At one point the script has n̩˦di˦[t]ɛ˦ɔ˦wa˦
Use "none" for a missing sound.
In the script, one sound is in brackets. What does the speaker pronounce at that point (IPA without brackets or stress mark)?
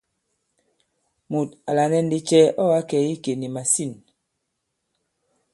t͡ʃ